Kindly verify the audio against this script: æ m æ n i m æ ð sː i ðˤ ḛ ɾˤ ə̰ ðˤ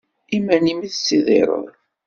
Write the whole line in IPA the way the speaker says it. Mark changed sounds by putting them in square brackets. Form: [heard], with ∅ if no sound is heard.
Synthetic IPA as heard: [i] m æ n i m [i] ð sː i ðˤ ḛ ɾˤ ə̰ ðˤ